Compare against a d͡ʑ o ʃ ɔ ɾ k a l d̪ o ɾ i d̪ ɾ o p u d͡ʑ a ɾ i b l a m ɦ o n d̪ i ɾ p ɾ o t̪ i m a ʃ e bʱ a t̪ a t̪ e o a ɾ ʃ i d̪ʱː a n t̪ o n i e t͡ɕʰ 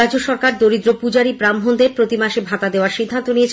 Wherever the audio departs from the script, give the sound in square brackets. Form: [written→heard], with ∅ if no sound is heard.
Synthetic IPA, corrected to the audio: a d͡ʑ o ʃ ɔ ɾ k a [l→ɾ] d̪ o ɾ i d̪ ɾ o p u d͡ʑ a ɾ i b [l→ɾ] a m ɦ o n d̪ [i→e] ɾ p ɾ o t̪ i m a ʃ e bʱ a t̪ a [t̪→d̪] e o a ɾ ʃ i d̪ʱː a n t̪ o n i e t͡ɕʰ